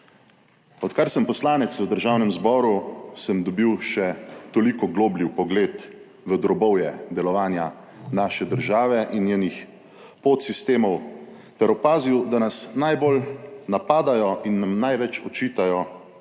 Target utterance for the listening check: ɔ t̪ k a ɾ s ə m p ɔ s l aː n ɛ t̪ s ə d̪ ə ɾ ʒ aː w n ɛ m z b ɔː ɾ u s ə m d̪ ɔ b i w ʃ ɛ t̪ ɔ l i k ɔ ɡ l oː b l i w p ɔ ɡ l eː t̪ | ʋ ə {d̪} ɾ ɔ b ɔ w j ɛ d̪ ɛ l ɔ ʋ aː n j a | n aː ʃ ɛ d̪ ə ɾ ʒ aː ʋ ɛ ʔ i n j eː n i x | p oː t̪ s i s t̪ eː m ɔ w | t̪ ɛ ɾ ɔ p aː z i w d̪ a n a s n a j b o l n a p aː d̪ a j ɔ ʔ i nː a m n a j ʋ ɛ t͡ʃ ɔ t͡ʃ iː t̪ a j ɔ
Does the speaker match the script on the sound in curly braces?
yes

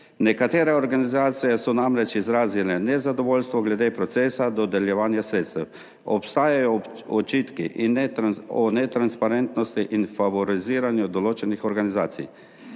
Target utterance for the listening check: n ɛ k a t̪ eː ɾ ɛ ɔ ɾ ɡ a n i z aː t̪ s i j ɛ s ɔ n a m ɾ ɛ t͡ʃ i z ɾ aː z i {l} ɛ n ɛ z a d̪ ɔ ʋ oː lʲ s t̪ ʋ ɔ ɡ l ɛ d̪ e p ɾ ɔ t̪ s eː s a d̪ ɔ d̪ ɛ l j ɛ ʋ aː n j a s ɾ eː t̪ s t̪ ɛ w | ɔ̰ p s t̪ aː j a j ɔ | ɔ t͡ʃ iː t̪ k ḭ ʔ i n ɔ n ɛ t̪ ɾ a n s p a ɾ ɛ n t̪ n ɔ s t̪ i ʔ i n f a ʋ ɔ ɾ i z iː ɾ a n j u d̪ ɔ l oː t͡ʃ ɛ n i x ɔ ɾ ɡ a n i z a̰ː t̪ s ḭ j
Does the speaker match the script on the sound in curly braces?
yes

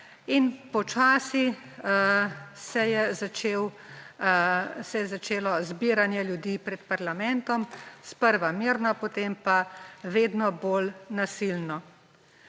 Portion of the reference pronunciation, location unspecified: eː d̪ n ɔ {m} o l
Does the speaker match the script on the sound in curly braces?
no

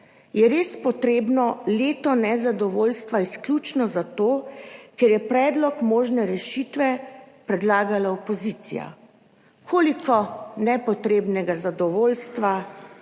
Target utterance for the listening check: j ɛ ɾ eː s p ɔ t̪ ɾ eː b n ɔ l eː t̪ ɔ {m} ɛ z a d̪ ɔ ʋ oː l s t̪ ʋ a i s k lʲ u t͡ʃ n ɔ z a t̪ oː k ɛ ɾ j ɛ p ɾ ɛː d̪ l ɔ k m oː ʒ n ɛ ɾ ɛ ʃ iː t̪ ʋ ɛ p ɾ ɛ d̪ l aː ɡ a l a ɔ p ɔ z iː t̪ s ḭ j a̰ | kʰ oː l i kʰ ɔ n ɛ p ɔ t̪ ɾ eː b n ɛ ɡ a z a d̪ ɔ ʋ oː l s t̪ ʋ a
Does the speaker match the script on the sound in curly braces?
no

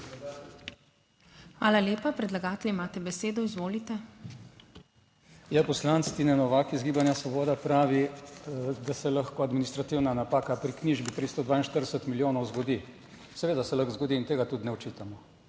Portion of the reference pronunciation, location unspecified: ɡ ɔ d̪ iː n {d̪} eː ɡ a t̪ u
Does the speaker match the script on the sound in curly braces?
no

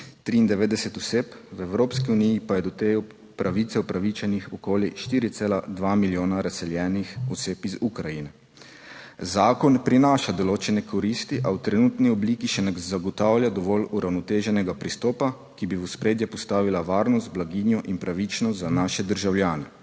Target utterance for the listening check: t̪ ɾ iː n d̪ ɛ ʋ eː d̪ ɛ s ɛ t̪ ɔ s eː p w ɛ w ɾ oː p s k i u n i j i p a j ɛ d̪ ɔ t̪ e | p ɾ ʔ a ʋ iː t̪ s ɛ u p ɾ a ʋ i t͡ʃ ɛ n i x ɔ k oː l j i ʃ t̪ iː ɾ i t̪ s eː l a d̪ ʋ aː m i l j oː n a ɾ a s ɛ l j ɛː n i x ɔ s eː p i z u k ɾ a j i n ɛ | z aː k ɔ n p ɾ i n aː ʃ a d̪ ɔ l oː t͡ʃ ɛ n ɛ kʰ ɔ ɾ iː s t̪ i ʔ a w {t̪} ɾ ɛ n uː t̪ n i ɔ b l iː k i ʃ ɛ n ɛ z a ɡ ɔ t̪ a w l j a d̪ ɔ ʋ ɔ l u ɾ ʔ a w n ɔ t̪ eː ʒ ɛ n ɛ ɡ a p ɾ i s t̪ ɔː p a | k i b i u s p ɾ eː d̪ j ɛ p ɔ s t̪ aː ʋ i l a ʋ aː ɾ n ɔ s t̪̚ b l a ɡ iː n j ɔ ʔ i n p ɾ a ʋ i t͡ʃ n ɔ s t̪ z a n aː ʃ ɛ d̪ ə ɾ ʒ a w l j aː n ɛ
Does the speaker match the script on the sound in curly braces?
yes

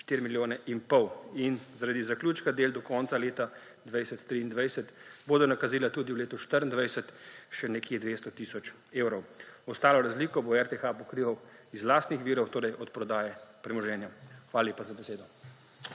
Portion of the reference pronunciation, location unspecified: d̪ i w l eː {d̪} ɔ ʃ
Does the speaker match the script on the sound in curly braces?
no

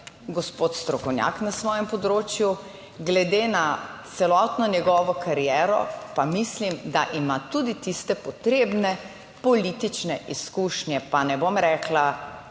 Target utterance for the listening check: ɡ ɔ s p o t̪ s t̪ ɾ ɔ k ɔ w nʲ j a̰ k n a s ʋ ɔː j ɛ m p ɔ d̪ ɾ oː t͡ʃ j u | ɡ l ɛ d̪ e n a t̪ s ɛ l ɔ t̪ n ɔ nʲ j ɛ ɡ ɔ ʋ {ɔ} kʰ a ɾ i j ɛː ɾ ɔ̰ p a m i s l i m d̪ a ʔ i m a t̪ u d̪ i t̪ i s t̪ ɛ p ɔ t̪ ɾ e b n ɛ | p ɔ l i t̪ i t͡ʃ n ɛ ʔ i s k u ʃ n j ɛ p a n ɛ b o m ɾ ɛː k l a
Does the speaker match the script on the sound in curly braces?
yes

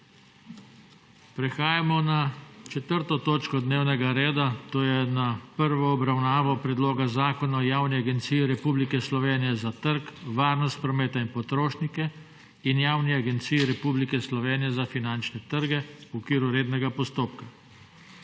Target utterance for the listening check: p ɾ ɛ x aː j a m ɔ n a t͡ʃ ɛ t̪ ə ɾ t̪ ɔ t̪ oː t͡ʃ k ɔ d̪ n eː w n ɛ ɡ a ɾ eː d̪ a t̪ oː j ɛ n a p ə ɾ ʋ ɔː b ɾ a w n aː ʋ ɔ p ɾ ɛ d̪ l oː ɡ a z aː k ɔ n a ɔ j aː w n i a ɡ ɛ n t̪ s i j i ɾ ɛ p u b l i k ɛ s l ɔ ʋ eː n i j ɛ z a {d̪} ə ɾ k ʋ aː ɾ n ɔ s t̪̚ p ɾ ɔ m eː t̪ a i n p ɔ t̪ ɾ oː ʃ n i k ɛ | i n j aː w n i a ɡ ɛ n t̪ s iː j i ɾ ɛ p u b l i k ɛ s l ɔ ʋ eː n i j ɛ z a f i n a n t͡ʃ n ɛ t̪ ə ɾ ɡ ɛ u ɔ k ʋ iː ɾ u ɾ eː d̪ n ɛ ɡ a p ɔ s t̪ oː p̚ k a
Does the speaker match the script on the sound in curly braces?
no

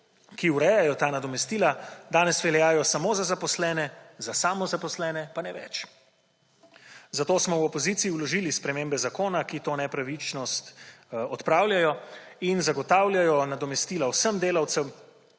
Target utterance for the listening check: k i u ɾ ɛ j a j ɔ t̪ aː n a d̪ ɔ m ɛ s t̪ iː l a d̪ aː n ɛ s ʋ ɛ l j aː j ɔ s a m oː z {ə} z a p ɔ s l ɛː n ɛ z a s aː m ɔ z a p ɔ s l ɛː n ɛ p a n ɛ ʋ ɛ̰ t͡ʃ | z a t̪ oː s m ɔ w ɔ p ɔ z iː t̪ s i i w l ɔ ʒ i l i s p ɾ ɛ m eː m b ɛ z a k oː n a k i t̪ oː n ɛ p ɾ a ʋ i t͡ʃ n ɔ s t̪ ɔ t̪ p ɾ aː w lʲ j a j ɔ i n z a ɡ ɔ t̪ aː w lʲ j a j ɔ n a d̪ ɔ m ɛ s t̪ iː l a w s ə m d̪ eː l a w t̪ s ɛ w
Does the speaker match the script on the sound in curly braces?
no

